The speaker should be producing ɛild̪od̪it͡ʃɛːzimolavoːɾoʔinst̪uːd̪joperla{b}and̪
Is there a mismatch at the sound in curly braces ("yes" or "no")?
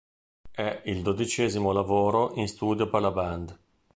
no